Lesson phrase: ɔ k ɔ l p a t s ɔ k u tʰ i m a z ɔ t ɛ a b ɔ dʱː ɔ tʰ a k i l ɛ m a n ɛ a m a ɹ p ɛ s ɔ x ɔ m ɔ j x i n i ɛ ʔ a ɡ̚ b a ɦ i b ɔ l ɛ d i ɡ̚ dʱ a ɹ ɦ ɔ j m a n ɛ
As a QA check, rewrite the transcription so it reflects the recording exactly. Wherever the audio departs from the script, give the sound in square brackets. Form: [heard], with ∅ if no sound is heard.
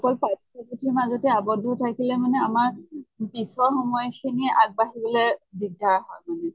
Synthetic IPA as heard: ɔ k ɔ l p a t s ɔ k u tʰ i m a z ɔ t ɛ a b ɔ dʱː ɔ tʰ a k i l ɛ m a n ɛ a m a ɹ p [i] s ɔ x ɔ m ɔ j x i n i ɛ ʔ a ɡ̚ b a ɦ i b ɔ l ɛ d i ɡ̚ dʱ a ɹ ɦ ɔ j m a n ɛ